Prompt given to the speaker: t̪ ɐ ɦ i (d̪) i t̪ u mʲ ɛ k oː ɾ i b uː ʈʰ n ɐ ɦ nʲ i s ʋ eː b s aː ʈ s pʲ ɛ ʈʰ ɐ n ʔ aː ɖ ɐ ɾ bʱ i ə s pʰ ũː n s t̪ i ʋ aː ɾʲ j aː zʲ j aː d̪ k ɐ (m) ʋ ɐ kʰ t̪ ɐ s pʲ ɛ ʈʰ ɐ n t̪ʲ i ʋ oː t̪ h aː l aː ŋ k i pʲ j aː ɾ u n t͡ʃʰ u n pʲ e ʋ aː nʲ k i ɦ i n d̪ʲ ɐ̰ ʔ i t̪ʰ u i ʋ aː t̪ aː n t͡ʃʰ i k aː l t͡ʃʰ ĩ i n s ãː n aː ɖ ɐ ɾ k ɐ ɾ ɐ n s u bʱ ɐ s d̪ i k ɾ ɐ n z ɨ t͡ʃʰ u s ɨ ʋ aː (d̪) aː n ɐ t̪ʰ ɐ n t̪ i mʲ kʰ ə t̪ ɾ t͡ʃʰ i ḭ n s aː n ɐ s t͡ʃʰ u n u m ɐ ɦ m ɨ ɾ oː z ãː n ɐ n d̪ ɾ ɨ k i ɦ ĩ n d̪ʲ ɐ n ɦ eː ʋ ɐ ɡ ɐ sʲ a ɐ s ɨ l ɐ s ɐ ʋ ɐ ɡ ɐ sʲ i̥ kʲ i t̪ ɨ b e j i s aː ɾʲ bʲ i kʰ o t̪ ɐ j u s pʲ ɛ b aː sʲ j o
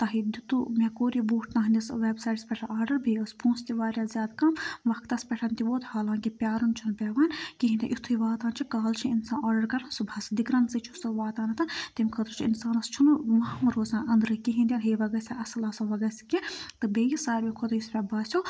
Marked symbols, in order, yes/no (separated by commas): yes, yes, no